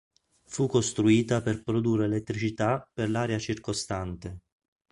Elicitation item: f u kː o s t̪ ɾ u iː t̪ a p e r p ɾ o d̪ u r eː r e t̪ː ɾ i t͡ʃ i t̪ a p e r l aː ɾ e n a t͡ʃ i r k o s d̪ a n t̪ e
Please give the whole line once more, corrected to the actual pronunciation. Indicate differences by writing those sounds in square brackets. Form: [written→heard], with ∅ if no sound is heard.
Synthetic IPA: f u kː o s t̪ ɾ u iː t̪ a p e r p ɾ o d̪ u r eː [r→l] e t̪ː ɾ i t͡ʃ i t̪ a p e r l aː ɾ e [n→∅] a t͡ʃ i r k o s [d̪→t̪] a n t̪ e